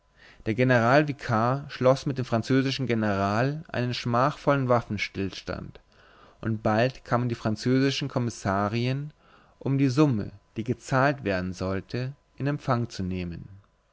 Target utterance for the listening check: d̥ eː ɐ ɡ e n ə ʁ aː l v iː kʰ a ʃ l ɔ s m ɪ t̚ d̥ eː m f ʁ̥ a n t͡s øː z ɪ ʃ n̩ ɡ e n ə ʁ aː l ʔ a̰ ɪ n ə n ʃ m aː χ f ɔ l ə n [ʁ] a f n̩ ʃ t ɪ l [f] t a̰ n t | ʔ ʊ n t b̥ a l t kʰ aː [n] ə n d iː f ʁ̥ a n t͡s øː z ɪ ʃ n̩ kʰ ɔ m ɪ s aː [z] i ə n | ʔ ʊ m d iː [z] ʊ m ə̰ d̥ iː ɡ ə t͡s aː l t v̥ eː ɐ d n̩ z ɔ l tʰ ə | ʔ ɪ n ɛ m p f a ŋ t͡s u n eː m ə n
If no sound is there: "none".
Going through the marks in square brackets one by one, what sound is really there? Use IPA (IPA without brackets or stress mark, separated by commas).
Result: v, ʃ, m, ʁ, z